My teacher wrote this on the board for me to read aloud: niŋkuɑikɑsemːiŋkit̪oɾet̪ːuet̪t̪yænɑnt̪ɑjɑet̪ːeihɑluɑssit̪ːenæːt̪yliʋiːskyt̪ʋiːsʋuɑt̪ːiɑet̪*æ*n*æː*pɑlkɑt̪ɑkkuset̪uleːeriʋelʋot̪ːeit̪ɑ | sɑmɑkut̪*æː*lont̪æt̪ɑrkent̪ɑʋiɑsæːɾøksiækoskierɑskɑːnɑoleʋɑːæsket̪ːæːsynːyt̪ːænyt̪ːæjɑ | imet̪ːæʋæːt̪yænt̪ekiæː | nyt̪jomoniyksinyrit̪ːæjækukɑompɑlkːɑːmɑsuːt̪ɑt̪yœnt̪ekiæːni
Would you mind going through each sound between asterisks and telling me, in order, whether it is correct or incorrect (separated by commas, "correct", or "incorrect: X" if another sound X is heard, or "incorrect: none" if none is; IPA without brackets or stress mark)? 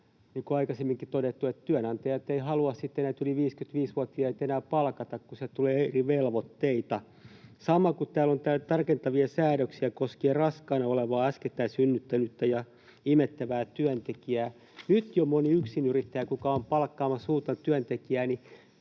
incorrect: e, correct, correct